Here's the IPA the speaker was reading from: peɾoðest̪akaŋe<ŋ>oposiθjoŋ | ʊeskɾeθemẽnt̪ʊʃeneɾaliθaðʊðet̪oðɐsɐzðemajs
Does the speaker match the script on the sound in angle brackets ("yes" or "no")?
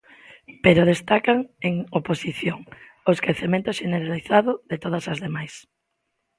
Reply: yes